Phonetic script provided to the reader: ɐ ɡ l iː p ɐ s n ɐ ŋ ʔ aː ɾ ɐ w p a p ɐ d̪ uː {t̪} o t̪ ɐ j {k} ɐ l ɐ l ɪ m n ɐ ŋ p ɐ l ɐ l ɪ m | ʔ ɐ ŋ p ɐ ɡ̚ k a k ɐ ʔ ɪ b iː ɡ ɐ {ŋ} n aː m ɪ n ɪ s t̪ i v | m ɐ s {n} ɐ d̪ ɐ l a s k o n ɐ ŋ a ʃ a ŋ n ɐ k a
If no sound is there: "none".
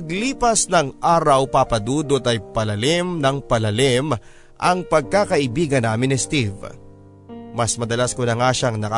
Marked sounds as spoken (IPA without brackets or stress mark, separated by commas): d̪, p, none, m